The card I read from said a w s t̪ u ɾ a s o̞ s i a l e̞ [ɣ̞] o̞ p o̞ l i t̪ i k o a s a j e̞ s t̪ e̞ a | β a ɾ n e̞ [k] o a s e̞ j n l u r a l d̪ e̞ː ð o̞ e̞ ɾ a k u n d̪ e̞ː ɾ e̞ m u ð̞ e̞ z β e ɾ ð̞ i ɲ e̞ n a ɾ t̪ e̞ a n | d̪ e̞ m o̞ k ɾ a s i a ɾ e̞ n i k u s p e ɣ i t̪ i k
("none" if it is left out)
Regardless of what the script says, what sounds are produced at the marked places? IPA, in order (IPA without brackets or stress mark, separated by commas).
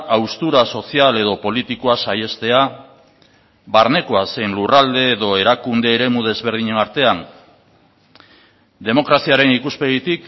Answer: ð̞, k